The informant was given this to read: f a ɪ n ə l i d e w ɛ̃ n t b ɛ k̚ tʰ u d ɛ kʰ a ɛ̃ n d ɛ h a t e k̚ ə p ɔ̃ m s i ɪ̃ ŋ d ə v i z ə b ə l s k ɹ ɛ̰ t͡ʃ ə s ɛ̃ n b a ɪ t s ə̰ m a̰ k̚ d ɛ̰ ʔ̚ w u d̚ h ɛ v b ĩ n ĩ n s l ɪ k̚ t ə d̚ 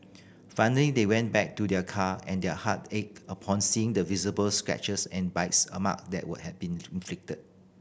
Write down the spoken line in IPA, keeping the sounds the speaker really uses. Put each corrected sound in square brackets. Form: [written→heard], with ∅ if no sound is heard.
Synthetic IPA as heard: f a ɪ n ə l i d e w ɛ̃ n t b ɛ k̚ [tʰ→t] u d ɛ kʰ a ɛ̃ n d ɛ h a t e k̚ ə [p→pʰ] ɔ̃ [m→n] s i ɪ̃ ŋ d ə v i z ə b ə l s k ɹ ɛ̰ t͡ʃ ə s ɛ̃ n b a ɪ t s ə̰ m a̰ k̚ d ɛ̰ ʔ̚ w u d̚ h ɛ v b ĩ n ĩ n [s→f] l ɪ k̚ t ə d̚